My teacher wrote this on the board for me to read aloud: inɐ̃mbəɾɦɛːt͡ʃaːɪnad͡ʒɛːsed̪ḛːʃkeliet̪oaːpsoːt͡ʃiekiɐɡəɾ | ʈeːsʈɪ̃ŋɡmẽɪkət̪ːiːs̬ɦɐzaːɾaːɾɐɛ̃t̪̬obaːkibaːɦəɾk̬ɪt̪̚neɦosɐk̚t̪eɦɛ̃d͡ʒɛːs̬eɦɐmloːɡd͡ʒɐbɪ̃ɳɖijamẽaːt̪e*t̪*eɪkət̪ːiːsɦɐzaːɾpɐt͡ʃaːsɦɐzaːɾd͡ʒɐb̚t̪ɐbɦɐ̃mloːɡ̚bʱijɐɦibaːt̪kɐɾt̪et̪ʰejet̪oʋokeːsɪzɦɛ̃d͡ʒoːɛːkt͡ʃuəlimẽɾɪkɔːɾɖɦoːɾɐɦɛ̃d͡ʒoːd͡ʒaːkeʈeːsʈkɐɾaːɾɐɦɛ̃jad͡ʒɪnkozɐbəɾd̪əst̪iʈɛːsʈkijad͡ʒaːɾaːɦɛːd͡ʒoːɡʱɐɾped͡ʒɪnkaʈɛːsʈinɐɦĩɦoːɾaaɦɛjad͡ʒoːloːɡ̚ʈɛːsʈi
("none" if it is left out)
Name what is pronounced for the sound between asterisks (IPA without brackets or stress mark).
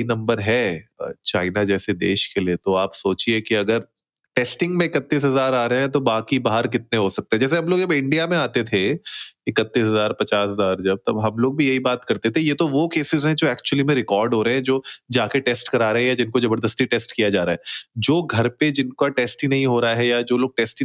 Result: t̪ʰ